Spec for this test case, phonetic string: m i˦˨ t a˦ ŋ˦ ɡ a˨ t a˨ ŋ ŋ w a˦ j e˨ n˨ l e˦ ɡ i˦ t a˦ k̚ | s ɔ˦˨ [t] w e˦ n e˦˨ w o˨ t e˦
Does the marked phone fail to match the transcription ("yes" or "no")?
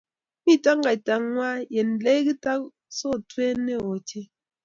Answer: no